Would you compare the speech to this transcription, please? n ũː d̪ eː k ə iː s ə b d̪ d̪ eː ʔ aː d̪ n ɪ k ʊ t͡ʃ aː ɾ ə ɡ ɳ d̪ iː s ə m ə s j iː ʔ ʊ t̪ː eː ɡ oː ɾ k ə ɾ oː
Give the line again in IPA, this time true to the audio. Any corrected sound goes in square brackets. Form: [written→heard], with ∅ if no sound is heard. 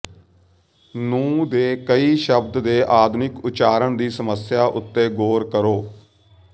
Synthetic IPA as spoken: n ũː d̪ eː k ə iː [s→ʃ] ə b d̪ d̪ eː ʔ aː d̪ n ɪ k ʊ t͡ʃ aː ɾ ə [ɡ→∅] ɳ d̪ iː s ə m ə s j [iː→aː] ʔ ʊ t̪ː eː ɡ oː ɾ k ə ɾ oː